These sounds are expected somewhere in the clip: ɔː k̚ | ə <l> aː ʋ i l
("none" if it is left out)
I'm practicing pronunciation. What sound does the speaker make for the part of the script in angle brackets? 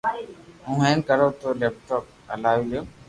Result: l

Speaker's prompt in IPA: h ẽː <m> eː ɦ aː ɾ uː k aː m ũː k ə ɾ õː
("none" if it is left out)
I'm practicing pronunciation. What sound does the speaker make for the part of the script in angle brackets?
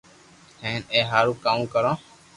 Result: n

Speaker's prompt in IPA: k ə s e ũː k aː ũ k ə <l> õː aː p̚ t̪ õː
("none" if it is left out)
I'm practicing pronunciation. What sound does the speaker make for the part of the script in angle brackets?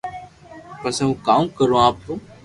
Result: ɾ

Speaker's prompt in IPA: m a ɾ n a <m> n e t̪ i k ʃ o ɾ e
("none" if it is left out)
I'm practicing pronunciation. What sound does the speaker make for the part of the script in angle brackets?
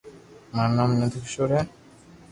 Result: m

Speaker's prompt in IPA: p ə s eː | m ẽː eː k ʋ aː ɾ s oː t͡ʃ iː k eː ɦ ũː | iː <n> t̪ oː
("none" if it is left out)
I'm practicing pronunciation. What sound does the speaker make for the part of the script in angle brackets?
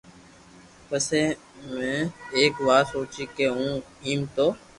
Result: m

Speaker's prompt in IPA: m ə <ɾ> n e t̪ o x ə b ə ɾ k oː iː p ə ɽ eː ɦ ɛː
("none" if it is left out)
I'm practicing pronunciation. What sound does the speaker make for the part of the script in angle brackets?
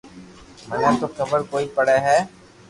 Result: none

